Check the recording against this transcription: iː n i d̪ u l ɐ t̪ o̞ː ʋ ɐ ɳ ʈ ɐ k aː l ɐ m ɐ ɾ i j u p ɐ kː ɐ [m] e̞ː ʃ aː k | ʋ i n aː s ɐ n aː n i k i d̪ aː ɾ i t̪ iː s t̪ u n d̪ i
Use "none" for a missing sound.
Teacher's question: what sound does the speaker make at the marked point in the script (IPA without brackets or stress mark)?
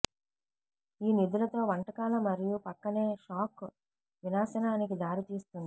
n